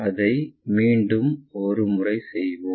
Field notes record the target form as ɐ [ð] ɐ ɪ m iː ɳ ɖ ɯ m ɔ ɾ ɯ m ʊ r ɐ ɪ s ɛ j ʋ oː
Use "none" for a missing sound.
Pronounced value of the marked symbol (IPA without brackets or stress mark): ð